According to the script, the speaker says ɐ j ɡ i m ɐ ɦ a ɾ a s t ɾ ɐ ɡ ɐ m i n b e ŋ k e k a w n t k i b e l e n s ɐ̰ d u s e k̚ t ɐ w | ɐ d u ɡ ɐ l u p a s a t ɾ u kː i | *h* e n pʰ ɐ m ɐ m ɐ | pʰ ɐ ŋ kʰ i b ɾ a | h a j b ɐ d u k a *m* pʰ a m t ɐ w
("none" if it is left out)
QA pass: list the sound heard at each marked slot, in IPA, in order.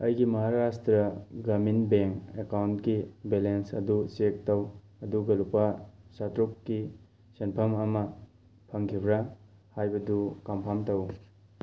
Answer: s, m

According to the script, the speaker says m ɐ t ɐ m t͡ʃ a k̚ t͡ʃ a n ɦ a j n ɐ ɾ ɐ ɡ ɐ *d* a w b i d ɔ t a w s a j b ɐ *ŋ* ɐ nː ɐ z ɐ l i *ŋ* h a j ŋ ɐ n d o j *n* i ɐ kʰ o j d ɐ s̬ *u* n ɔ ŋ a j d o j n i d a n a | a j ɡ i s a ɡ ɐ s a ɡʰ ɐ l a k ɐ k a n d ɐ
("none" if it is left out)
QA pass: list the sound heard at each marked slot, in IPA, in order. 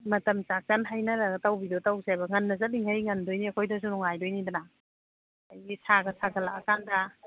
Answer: t, ŋ, ŋ, n, u

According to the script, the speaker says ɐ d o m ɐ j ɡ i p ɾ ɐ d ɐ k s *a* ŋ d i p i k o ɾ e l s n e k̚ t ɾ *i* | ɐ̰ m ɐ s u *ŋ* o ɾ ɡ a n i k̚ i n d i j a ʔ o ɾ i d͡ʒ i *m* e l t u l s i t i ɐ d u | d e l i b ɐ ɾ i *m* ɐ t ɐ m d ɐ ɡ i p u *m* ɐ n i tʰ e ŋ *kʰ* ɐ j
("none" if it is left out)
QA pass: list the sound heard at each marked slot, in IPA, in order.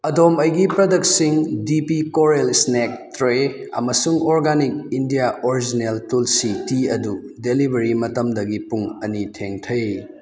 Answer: i, e, ŋ, n, m, ŋ, tʰ

